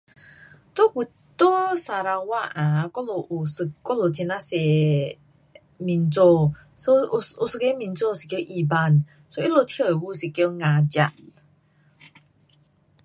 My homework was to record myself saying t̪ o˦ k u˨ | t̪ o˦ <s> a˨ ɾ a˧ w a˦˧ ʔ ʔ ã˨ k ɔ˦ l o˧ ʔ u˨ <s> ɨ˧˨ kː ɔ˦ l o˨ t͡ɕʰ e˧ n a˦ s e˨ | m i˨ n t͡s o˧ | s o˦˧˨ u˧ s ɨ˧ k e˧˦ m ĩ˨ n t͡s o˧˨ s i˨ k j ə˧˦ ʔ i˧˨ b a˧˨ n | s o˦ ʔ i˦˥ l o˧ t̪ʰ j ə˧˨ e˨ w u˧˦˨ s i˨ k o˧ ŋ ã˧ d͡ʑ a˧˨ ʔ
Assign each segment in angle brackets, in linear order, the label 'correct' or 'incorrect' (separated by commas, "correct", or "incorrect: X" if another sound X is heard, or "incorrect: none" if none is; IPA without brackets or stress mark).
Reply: correct, correct